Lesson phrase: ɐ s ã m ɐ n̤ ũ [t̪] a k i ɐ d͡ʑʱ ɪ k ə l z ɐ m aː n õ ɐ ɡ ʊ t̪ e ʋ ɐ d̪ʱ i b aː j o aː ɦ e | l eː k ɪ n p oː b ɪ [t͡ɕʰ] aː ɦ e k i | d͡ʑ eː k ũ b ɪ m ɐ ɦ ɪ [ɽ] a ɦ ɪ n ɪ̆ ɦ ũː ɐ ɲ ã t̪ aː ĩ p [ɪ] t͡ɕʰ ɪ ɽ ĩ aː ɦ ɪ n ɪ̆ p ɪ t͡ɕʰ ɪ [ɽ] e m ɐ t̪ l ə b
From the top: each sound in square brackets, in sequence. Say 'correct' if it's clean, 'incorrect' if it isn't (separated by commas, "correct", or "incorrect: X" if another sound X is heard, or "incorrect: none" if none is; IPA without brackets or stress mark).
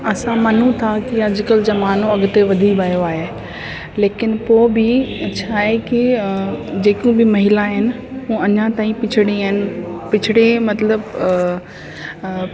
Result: incorrect: t̪ʰ, correct, incorrect: l, correct, correct